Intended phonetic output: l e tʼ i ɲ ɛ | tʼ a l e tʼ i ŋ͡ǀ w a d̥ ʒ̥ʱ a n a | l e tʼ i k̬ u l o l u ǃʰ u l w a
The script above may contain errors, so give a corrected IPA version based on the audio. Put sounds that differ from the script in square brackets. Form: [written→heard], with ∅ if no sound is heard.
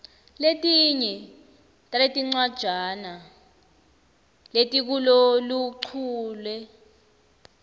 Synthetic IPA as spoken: l e tʼ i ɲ ɛ | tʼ a l e tʼ i ŋ͡ǀ w a d̥ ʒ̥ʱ a n a | l e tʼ i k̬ u l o l u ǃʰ [u→uː] l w [a→ɛ]